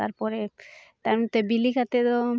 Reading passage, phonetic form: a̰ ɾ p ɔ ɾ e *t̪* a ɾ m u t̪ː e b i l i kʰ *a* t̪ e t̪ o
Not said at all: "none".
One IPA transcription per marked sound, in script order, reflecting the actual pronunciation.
t̪, a

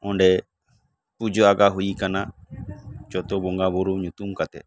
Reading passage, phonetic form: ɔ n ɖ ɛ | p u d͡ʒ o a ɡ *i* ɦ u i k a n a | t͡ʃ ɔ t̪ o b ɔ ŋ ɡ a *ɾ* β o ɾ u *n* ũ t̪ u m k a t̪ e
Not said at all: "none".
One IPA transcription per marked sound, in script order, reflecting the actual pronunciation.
a, none, ɲ

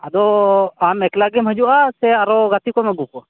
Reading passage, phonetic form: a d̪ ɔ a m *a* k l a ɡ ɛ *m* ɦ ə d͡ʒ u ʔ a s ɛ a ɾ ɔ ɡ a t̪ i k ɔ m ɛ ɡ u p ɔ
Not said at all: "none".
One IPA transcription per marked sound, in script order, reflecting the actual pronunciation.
ɛ, m

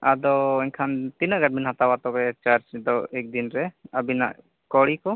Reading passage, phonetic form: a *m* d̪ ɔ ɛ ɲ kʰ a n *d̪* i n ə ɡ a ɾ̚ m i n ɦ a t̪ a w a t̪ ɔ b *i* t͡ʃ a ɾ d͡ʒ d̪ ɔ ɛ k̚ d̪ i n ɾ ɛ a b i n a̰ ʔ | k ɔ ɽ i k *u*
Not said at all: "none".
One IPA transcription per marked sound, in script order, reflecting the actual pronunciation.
none, t̪, ɛ, ɔ

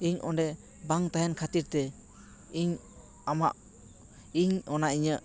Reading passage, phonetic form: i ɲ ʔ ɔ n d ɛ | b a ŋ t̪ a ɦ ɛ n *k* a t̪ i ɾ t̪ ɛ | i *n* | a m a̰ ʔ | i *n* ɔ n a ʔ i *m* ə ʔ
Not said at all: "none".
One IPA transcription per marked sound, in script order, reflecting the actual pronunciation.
kʰ, ɲ, ɲ, ɲ

